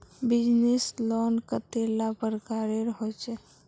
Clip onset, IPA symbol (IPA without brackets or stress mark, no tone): b